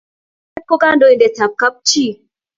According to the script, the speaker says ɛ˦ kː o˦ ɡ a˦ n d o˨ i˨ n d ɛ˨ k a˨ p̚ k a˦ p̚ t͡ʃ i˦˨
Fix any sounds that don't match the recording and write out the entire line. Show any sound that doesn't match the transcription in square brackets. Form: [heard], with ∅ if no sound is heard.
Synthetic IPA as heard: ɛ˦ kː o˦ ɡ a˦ n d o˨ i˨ n d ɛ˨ [t] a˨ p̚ k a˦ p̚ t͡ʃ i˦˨